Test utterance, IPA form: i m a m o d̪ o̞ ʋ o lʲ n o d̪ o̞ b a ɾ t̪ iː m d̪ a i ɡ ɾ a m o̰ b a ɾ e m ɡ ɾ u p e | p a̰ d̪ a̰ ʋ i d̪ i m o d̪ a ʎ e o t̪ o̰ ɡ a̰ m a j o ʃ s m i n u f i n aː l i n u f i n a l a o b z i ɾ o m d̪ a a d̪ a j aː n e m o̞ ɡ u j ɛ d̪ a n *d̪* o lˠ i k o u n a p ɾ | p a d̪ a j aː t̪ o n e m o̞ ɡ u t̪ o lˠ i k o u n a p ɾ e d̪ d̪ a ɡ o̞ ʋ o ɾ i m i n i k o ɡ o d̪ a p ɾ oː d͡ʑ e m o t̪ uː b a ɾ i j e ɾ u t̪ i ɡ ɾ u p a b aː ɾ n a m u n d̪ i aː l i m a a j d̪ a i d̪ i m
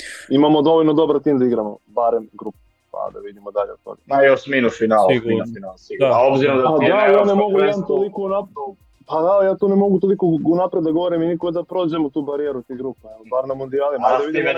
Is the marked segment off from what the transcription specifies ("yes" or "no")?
yes